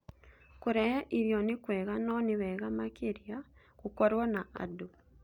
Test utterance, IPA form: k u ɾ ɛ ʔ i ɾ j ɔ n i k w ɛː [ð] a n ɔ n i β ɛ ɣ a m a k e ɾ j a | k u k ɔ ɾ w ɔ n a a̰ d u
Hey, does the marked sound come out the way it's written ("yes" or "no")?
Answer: no